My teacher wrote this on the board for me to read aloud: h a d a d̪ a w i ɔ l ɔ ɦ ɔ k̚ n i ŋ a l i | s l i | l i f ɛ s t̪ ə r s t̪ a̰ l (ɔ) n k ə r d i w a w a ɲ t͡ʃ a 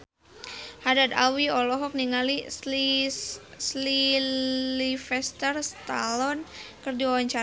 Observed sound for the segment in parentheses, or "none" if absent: ɔ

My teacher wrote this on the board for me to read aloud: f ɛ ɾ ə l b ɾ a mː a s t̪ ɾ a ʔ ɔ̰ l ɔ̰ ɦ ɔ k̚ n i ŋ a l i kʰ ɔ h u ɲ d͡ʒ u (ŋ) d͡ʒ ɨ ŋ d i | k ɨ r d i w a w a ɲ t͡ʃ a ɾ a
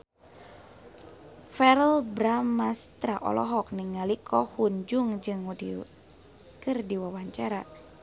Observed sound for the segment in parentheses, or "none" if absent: ŋ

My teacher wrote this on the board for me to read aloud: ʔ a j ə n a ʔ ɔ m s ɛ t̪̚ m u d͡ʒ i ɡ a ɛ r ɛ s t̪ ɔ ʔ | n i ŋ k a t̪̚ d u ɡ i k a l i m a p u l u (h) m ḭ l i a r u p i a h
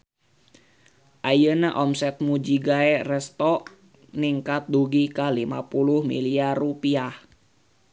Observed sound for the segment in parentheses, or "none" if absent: h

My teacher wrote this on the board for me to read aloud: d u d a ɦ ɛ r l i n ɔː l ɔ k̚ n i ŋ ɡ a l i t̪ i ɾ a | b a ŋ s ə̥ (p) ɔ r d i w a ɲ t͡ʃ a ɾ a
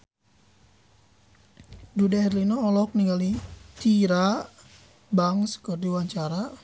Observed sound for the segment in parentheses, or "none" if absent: k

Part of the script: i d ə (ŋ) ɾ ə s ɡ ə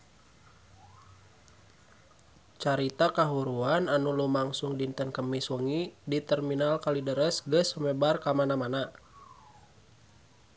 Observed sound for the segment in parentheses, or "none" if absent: none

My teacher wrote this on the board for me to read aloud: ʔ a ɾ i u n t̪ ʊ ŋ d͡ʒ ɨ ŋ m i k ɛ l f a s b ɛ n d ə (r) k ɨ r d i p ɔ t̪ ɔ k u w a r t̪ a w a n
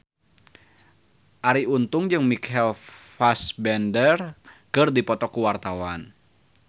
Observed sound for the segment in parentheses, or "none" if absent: r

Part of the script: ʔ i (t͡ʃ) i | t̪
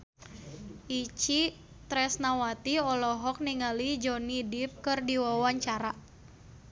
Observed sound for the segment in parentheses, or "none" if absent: t͡ʃ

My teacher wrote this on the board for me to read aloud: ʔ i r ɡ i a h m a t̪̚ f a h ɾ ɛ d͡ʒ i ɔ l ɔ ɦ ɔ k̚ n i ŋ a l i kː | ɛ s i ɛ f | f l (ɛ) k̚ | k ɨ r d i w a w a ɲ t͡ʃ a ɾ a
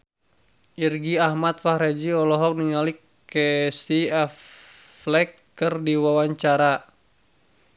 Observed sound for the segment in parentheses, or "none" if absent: ɛ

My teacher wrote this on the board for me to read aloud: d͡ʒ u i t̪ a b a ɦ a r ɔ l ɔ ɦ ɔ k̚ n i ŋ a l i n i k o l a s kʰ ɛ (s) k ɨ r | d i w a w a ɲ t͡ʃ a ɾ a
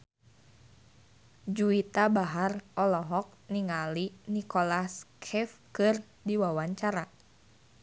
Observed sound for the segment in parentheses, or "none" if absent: f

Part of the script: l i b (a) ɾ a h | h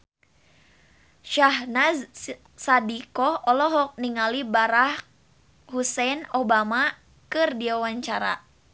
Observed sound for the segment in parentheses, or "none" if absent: a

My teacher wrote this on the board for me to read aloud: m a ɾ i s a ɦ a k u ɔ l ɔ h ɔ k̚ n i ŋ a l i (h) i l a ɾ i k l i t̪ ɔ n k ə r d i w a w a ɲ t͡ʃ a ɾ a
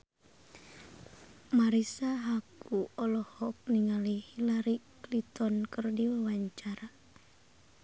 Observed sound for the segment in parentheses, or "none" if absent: h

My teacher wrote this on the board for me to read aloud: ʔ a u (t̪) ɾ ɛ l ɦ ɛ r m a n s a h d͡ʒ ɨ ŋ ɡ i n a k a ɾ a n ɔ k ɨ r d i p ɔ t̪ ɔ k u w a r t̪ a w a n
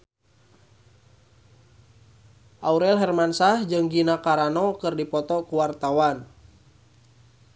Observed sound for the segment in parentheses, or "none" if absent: none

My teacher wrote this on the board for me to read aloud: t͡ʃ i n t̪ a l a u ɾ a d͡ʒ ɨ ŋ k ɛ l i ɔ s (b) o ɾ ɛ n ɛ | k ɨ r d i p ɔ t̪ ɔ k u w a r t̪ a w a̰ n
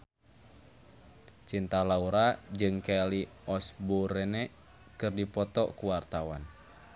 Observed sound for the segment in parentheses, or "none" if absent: b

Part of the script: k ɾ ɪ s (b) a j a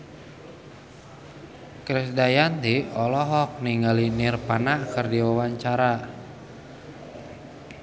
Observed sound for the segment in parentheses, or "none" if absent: d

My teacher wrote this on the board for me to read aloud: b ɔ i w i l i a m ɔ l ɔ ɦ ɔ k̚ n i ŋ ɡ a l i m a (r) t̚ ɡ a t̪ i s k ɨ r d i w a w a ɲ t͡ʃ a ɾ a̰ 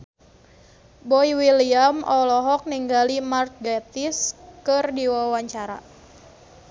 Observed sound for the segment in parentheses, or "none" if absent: r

